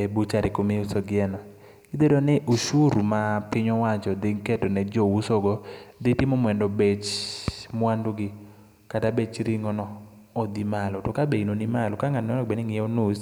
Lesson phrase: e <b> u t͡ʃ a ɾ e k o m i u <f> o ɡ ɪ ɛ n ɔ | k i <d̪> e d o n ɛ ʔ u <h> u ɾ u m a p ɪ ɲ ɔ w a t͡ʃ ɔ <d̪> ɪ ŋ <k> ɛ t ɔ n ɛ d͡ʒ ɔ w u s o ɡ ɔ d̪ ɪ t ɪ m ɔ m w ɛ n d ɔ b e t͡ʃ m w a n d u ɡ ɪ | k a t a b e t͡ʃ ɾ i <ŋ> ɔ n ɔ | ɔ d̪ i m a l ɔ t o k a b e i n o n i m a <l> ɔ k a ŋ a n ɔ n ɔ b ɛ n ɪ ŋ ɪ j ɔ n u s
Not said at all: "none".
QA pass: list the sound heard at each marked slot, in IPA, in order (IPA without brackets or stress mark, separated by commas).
b, s, d̪, ʃ, d̪, k, ŋ, l